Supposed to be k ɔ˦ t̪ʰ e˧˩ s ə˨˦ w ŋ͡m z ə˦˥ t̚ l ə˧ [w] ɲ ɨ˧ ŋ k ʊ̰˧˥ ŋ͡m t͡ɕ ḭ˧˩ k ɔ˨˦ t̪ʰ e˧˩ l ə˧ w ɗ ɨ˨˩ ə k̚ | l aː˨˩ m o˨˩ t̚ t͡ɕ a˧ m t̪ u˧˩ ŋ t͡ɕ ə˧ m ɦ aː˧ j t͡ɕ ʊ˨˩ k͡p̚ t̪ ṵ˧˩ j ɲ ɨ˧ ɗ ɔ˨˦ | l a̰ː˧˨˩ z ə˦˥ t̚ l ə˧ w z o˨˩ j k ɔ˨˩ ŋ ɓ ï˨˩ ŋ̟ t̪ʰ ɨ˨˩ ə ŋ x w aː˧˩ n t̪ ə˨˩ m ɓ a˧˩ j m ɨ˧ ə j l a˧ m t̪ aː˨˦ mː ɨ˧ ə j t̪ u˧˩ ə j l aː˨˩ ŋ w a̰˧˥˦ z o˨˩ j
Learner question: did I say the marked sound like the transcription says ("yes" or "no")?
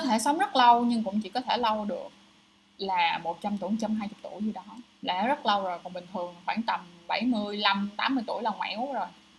yes